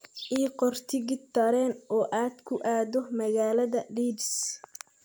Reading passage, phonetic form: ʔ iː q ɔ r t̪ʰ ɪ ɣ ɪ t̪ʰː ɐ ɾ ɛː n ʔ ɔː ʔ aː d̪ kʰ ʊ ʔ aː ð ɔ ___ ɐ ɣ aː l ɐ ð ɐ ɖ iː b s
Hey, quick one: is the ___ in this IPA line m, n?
m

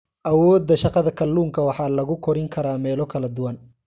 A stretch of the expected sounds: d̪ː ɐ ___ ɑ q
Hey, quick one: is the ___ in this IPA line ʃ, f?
ʃ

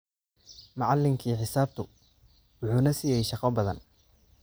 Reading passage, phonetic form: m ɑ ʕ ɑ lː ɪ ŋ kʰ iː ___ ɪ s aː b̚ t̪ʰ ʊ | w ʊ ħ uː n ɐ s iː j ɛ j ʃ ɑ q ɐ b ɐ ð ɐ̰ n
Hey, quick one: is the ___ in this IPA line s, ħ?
ħ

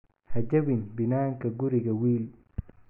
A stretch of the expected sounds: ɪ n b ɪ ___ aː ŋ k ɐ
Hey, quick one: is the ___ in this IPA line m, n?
n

